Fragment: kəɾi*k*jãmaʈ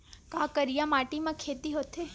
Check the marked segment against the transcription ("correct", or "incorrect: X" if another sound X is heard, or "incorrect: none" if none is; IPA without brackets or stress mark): incorrect: none